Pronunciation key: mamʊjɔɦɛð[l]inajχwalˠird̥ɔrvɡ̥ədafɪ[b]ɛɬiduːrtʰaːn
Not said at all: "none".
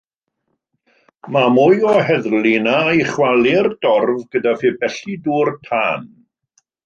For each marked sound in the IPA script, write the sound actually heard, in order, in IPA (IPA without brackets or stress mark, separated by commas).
l, b